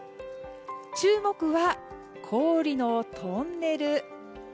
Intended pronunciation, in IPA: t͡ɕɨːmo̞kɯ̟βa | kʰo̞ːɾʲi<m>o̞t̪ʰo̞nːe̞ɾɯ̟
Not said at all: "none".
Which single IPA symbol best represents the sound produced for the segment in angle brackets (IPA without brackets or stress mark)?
n